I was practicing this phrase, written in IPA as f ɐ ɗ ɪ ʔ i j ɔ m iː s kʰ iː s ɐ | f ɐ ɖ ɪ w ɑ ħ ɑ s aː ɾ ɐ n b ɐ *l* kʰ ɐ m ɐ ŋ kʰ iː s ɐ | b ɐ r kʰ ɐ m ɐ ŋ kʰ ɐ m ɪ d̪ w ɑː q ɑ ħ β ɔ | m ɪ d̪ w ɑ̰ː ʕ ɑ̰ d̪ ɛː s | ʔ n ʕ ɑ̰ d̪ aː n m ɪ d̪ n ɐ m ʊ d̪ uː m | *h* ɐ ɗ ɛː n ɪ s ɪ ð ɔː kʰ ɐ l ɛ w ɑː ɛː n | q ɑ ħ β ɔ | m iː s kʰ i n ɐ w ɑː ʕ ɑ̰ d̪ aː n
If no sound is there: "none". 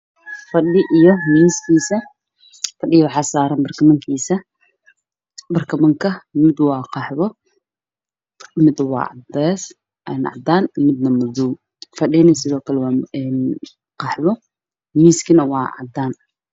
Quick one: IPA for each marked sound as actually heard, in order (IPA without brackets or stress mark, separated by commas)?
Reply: r, f